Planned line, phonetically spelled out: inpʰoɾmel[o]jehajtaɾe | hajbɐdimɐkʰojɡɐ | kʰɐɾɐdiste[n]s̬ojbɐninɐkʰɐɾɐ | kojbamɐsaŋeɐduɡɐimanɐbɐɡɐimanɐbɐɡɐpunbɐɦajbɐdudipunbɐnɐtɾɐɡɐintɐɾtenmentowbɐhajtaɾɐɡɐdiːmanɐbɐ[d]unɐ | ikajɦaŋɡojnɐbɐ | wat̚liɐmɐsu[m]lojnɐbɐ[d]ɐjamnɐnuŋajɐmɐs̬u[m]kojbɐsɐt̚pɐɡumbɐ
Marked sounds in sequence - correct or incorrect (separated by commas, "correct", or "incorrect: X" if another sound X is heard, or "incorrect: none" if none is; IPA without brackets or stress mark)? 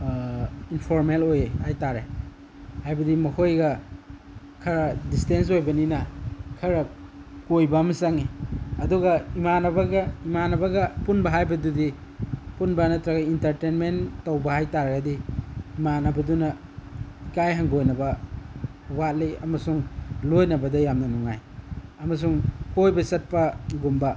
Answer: correct, correct, correct, incorrect: ŋ, correct, incorrect: ŋ